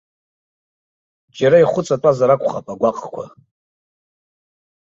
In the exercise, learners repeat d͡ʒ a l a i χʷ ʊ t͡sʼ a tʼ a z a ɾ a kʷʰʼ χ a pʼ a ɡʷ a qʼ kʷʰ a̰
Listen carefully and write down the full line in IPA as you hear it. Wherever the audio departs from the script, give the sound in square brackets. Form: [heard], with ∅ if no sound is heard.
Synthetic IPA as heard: d͡ʒ a [ɾ] a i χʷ ʊ t͡sʼ a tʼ a z a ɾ a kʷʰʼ χ a pʼ a ɡʷ a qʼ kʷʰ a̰